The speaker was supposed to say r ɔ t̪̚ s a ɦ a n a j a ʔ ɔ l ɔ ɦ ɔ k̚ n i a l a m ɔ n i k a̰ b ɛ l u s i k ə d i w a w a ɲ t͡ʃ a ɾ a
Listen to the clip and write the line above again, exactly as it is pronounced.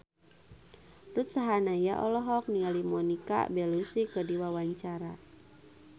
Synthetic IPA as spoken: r u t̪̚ s a ɦ a n a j a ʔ ɔ l ɔ ɦ ɔ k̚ n i a l i m ɔ n i k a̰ b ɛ l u s i k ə d i w a w a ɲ t͡ʃ a ɾ a

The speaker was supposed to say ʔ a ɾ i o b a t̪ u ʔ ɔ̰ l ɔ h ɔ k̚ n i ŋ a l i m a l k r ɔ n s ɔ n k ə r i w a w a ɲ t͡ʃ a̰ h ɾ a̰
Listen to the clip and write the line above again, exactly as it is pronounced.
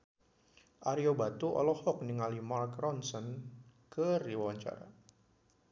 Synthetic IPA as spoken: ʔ a ɾ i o b a t̪ u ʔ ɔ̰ l ɔ h ɔ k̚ n i ŋ a l i m a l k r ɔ n s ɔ n k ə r i w a w a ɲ t͡ʃ a̰ ɾ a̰

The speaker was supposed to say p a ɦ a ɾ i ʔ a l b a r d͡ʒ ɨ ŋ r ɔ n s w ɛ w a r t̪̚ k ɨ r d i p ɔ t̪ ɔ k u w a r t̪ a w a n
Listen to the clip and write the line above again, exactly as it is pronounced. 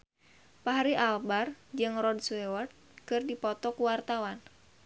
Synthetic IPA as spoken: p a ɦ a ɾ i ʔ a l b a r d͡ʒ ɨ ŋ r ɔ d s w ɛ w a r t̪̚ k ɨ r d i p ɔ t̪ ɔ k u w a r t̪ a w a n

